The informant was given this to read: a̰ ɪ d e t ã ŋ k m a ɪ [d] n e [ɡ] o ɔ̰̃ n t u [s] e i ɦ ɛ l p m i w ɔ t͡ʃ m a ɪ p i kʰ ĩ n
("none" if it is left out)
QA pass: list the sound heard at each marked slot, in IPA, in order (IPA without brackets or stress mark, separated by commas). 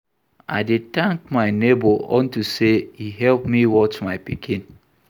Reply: none, b, s